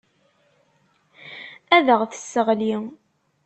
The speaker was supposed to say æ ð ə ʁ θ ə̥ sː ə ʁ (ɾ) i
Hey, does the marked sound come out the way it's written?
no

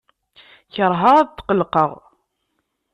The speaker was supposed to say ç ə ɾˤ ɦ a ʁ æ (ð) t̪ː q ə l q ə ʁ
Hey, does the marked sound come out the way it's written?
yes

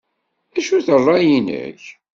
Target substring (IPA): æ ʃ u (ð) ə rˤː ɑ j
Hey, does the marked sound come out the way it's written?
no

